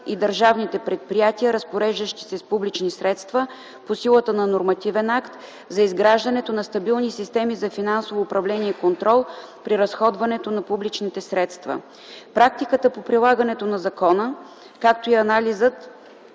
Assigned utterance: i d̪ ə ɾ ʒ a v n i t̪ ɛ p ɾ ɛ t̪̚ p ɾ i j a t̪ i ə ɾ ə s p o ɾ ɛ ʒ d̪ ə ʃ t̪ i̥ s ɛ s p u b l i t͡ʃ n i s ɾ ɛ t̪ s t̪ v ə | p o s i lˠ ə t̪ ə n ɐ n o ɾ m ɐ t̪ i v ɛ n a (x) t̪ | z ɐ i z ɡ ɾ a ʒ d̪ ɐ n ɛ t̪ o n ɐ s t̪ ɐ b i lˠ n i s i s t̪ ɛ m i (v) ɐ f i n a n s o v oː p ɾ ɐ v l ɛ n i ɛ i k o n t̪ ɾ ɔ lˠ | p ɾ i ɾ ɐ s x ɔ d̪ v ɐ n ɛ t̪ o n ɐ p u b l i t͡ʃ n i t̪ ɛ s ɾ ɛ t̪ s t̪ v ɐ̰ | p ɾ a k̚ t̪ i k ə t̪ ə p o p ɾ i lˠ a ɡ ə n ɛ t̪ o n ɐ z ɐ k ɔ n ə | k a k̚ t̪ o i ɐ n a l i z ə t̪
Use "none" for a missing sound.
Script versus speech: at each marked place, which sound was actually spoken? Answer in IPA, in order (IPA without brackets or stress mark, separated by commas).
k, z